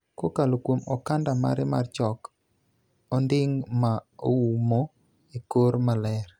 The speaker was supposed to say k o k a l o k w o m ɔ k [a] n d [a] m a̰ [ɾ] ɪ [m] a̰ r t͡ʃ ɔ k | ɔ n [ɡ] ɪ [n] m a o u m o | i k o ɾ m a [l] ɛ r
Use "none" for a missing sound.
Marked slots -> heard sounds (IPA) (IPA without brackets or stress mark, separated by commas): a, a, ɾ, m, d, ŋ, l